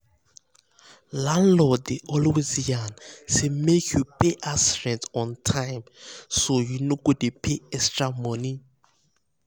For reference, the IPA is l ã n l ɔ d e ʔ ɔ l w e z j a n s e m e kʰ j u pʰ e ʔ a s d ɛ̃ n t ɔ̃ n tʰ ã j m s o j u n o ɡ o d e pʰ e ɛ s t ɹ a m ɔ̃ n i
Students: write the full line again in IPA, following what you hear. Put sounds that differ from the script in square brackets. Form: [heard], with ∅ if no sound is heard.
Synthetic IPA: l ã n l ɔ d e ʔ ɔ l w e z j a n s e m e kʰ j u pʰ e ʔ a s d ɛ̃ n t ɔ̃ n tʰ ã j m s o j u n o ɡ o d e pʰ e ɛ s t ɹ a m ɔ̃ n i